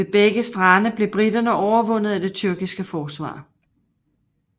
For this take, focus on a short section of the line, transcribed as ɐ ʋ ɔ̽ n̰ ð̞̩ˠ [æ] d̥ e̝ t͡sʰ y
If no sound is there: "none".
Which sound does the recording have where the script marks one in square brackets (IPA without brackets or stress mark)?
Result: æ